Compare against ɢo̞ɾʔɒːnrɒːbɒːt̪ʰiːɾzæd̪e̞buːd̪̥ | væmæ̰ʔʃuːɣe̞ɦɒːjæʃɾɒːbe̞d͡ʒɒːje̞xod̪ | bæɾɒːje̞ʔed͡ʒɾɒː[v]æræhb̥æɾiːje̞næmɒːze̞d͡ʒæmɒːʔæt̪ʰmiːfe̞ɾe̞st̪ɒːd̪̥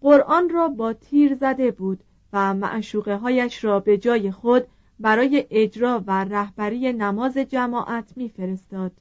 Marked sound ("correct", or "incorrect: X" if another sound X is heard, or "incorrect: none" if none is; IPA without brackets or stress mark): correct